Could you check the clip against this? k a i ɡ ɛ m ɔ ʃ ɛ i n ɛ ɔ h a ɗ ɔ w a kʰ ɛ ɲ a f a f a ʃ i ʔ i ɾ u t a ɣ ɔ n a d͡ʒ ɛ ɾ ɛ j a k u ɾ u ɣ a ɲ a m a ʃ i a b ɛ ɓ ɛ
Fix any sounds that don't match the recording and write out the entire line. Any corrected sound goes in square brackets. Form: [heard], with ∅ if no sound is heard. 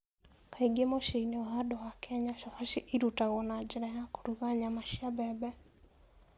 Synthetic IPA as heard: k a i ɡ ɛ m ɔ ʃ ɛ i n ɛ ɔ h a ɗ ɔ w a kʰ ɛ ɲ a [ʃ] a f a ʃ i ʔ i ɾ u t a ɣ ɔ n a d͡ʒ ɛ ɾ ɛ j a k u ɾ u ɣ a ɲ a m a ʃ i a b ɛ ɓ ɛ

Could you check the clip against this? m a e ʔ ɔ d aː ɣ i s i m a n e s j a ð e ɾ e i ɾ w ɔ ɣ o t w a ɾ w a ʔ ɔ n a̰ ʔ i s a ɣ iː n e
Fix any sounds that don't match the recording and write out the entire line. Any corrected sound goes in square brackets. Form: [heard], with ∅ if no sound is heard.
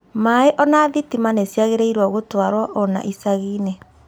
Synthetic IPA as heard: m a e ʔ ɔ [n] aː [ð] i [t] i m a n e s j a [ɣ] e ɾ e i ɾ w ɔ ɣ o t w a ɾ w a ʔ ɔ n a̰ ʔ i s a ɣ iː n e

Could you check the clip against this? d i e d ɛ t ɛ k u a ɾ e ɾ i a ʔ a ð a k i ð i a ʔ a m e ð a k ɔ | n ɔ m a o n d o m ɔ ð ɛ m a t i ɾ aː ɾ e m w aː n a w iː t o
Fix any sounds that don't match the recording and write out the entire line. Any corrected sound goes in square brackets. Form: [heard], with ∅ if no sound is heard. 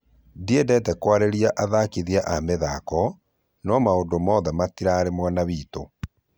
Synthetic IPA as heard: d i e d ɛ t ɛ k [w] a ɾ e ɾ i a ʔ a ð a k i ð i a ʔ a m e ð a k ɔ | n ɔ m a o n d o m ɔ ð ɛ m a t i ɾ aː ɾ e m w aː n a [β] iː t o

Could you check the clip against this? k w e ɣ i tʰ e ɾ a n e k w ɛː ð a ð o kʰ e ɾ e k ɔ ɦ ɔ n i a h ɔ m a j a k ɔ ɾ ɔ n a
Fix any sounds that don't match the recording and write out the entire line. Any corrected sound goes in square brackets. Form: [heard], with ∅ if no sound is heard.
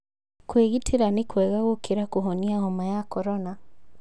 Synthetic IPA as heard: k w e ɣ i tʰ e ɾ a n e k w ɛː [ɣ] a [ɣ] o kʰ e ɾ [a] k [o] ɦ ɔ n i a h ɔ m a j a k ɔ ɾ ɔ n a

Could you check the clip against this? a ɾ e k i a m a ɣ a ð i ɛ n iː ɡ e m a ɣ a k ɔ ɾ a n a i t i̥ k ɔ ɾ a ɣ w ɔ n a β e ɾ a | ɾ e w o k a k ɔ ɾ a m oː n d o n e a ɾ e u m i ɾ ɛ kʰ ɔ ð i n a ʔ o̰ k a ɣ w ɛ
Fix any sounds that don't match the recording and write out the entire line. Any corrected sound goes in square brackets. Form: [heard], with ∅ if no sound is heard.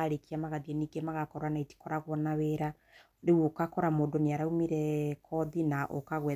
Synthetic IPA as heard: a ɾ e k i a m a ɣ a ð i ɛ n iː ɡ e m a ɣ a k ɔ ɾ a n a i t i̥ k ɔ ɾ a ɣ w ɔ n a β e ɾ a | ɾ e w o k a k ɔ ɾ a m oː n d o n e a ɾ [a] u m i ɾ ɛ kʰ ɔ ð i n a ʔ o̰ k a ɣ w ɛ

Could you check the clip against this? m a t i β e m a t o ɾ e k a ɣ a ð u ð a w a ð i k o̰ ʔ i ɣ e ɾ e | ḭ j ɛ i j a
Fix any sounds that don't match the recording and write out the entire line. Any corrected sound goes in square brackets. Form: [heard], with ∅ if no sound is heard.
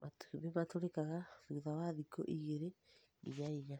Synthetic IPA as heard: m a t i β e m a t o ɾ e k a ɣ a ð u ð a w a ð i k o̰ ʔ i ɣ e ɾ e | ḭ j [a] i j a

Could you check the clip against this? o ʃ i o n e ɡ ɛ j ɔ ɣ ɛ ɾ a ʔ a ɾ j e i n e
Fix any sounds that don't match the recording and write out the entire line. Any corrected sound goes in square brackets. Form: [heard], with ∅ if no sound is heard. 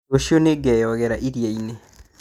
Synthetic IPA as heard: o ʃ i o n e ɡ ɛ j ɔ ɣ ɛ ɾ a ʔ [i] ɾ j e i n e

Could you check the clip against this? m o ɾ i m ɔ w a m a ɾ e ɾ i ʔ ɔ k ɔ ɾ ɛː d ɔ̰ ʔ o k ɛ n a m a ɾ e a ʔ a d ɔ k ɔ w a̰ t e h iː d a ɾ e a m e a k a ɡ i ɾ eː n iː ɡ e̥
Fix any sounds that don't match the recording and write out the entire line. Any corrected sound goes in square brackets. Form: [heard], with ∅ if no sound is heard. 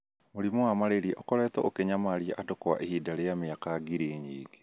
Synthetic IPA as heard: m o ɾ i m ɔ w a m a ɾ e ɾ i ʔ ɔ k ɔ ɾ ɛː [t] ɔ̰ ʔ o k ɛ [ɲ] a m a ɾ [i] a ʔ a d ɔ k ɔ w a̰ [ʔ] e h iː d a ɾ e a m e a k a ɡ i ɾ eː [ɲ] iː ɡ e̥

